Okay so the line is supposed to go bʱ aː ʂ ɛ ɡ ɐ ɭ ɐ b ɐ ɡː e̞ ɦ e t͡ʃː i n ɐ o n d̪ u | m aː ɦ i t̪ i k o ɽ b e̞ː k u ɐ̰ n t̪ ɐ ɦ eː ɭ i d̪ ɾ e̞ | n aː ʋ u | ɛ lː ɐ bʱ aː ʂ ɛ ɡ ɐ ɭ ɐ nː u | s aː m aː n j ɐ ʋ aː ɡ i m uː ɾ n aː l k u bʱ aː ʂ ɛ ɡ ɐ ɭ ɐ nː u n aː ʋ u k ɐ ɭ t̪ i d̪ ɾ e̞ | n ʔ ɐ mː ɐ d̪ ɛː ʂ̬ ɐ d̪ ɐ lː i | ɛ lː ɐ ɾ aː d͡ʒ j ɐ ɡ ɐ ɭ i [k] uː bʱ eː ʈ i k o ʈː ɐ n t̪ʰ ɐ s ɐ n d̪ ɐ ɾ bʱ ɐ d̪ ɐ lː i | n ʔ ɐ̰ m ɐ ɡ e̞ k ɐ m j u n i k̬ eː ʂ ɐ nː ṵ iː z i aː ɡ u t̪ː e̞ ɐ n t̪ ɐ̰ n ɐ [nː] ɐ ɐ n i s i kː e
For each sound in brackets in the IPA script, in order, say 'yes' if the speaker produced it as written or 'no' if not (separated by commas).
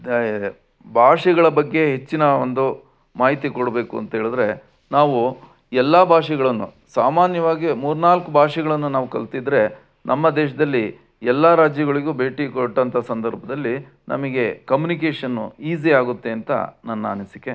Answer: no, yes